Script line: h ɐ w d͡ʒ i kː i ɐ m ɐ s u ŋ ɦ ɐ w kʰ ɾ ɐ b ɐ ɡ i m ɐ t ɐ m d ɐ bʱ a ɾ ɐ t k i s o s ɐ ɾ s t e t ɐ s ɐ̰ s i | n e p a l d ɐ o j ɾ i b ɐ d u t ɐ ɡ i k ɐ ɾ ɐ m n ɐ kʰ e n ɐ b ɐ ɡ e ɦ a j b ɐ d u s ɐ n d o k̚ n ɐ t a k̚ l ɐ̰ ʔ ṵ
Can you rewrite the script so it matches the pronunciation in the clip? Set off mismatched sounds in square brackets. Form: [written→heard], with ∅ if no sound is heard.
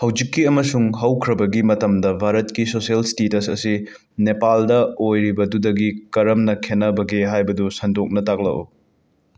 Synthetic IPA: h ɐ w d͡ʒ i kː i ɐ m ɐ s u ŋ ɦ ɐ w kʰ ɾ ɐ b ɐ ɡ i m ɐ t ɐ m d ɐ bʱ a ɾ ɐ t k i s o s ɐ [ɾ→l] s t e t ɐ s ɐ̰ s i | n e p a l d ɐ o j ɾ i b ɐ d u [t→d] ɐ ɡ i k ɐ ɾ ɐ m n ɐ kʰ e n ɐ b ɐ ɡ e ɦ a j b ɐ d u s ɐ n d o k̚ n ɐ t a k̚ l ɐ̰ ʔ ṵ